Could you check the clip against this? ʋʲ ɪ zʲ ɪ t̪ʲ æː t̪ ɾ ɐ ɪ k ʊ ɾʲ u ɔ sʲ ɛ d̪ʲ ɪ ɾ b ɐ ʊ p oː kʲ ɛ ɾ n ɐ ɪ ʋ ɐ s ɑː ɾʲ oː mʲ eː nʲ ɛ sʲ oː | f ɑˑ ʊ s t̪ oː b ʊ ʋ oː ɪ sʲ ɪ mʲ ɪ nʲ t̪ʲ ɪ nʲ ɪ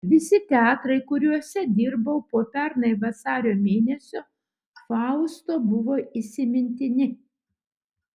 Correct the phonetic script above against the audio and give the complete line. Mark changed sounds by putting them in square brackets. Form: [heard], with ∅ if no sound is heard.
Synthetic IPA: ʋʲ ɪ [sʲ] ɪ t̪ʲ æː t̪ ɾ ɐ ɪ k ʊ ɾʲ u ɔ sʲ ɛ d̪ʲ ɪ ɾ b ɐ ʊ p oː [pʲ] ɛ ɾ n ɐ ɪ ʋ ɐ s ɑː ɾʲ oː mʲ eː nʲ ɛ sʲ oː | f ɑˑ ʊ s t̪ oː b ʊ ʋ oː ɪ sʲ ɪ mʲ ɪ nʲ t̪ʲ ɪ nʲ ɪ